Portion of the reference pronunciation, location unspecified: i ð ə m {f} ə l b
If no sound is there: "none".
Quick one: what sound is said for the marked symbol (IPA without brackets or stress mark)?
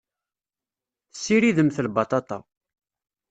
θ